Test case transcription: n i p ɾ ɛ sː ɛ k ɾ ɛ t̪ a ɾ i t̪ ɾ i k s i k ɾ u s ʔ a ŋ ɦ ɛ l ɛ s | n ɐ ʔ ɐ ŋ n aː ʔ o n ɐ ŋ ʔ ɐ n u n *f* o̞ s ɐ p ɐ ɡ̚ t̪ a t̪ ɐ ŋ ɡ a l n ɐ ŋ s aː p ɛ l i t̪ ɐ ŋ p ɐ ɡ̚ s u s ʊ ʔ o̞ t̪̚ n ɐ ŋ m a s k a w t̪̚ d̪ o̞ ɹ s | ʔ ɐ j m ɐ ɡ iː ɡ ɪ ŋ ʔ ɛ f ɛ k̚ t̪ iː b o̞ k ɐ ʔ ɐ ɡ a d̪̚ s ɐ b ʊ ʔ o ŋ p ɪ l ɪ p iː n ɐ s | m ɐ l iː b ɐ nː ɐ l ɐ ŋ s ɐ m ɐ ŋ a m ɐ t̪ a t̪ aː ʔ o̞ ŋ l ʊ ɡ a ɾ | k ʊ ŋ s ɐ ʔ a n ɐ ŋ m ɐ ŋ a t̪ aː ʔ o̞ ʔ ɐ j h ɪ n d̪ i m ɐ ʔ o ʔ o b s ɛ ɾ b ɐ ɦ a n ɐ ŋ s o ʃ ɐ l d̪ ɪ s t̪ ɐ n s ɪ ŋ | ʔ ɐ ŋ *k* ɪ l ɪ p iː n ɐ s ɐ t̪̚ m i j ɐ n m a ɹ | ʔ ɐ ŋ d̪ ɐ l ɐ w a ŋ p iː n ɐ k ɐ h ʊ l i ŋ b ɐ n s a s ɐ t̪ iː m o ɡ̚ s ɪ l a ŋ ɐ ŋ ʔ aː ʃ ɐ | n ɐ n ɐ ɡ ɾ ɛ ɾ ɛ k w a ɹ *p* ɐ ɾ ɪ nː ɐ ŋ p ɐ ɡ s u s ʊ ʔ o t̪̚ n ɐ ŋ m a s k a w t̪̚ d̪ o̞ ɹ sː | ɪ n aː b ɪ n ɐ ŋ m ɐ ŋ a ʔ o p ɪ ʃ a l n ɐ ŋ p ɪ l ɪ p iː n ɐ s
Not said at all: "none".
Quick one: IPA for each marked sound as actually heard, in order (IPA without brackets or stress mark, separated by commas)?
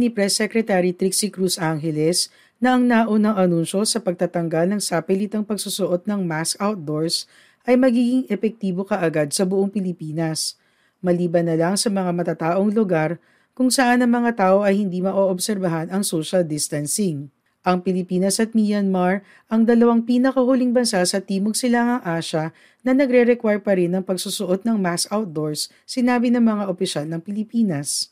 ʃ, p, p